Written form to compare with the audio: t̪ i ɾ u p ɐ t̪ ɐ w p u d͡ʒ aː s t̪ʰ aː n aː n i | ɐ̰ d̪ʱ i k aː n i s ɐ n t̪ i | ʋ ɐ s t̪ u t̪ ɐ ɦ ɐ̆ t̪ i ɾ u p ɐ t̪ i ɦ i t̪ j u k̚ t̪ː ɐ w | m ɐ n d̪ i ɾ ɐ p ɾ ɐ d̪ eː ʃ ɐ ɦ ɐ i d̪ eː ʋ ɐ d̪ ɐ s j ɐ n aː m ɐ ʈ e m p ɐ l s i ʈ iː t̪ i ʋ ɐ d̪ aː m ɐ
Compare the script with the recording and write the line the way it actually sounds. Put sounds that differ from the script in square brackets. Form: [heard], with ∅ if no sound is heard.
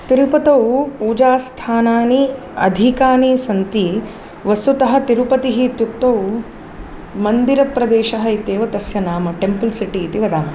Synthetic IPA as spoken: t̪ i ɾ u p ɐ t̪ ɐ w p [uː] d͡ʒ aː s t̪ʰ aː n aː n i | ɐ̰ d̪ʱ i k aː n i s ɐ n t̪ i | ʋ ɐ s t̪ u t̪ ɐ ɦ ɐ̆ t̪ i ɾ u p ɐ t̪ i ɦ i t̪ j u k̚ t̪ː ɐ w | m ɐ n d̪ i ɾ ɐ p ɾ ɐ d̪ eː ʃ ɐ ɦ ɐ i [t̪] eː ʋ ɐ [t̪] ɐ s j ɐ n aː m ɐ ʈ e m p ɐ l s i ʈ iː t̪ i ʋ ɐ d̪ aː m ɐ